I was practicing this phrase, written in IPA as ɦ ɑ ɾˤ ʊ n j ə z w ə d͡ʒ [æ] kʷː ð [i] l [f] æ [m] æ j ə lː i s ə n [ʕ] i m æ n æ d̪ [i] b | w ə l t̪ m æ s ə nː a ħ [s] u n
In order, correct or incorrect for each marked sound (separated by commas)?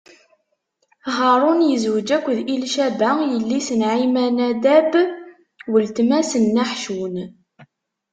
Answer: correct, correct, incorrect, incorrect, correct, incorrect, incorrect